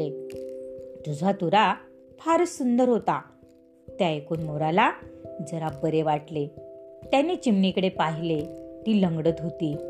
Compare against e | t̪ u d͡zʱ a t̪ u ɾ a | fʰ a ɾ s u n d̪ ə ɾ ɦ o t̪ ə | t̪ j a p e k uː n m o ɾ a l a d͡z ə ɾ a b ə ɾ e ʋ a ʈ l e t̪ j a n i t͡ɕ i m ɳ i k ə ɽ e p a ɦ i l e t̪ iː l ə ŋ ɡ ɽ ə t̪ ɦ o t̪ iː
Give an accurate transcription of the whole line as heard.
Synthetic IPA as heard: e | t̪ u d͡zʱ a t̪ u ɾ a | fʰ a ɾ s u n d̪ ə ɾ ɦ o t̪ a | t̪ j a e k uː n m o ɾ a l a d͡z ə ɾ a b ə ɾ e ʋ a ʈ l e t̪ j a n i t͡ɕ i m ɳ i k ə ɽ e p a ɦ i l e t̪ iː l ə ŋ ɡ ɽ ə t̪ ɦ o t̪ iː